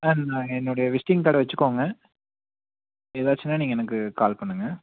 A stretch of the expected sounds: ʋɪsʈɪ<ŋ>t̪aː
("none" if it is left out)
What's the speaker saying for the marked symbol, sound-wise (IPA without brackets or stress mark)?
ŋ